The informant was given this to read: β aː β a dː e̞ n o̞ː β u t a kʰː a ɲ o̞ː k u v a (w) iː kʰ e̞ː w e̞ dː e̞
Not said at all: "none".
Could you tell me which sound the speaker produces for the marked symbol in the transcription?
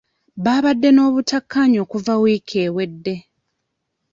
w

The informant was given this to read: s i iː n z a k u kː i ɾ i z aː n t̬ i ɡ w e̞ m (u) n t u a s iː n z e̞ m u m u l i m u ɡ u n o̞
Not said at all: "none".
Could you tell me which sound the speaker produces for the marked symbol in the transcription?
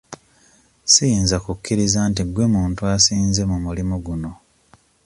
uː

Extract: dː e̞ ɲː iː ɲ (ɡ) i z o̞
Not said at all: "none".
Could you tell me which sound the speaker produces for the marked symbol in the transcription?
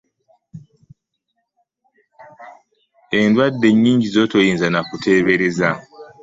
ɟ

